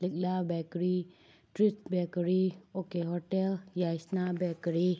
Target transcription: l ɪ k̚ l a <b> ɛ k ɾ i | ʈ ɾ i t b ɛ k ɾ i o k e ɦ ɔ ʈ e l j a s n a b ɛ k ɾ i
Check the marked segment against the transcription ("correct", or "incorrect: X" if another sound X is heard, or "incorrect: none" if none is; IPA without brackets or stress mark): correct